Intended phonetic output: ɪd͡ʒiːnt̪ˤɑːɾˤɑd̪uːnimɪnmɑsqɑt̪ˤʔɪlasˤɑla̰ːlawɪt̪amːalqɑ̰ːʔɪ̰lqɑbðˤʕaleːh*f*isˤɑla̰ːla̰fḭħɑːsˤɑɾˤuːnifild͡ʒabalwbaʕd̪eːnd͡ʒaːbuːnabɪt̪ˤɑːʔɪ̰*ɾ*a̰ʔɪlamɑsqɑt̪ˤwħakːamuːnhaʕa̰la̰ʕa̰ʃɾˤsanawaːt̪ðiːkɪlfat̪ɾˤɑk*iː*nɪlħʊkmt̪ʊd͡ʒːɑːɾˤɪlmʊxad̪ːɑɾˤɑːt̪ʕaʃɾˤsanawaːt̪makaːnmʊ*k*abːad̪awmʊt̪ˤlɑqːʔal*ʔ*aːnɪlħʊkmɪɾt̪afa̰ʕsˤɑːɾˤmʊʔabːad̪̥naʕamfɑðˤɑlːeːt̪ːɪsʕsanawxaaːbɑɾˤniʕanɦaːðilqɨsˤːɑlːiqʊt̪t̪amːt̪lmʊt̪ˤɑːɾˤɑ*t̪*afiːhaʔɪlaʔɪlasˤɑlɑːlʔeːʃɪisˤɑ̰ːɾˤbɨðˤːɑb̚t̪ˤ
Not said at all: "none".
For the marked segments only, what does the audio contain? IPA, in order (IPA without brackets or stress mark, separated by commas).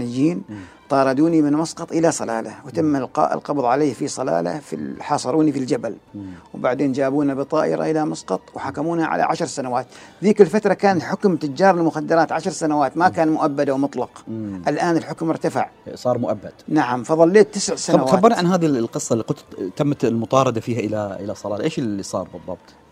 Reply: f, ɾ, aː, ʔ, ʔ, d̪